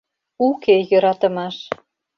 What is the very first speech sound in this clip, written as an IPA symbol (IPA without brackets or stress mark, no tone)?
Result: u